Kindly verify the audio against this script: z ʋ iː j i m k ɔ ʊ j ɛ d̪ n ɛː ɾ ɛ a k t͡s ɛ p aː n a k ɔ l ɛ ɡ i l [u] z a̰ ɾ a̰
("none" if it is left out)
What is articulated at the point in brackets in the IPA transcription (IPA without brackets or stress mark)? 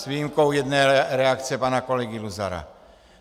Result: u